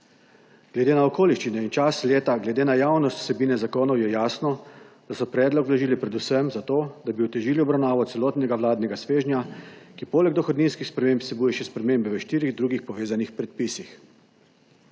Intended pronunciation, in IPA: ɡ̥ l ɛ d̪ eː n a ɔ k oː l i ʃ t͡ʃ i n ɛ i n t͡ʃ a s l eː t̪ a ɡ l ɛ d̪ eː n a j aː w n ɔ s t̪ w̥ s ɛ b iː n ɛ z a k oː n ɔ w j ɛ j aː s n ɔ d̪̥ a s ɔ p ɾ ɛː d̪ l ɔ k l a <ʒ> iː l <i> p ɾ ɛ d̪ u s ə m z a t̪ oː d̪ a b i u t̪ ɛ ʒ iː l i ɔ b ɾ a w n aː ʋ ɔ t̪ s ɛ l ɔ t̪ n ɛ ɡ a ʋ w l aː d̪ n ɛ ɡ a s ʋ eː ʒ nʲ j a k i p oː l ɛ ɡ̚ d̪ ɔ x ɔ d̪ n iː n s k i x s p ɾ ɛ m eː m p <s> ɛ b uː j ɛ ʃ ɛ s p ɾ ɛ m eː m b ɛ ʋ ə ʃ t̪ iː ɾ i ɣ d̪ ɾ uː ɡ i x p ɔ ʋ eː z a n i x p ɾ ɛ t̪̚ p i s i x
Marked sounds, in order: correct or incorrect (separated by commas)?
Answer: correct, correct, correct